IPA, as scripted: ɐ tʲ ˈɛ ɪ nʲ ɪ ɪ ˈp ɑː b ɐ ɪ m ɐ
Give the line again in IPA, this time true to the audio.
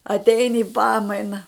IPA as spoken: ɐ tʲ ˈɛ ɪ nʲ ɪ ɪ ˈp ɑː m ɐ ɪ n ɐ